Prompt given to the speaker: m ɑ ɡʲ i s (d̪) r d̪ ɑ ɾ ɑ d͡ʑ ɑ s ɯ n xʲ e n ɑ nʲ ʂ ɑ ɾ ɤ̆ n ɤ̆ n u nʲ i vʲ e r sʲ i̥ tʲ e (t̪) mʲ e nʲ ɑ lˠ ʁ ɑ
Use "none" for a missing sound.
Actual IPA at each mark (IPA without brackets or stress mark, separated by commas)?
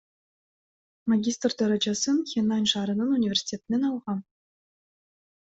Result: t̪, t̪